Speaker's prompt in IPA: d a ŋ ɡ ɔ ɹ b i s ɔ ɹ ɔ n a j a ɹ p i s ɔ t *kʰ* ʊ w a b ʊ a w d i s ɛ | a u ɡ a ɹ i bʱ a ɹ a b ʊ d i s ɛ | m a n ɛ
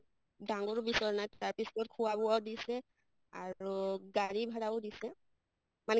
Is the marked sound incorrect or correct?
correct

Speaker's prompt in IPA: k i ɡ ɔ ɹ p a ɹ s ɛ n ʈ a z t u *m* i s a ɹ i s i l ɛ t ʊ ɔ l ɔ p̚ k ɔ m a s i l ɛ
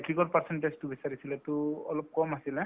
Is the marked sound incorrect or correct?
incorrect: b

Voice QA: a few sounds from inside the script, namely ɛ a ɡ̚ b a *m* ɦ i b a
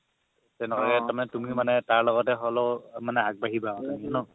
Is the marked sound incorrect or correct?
incorrect: none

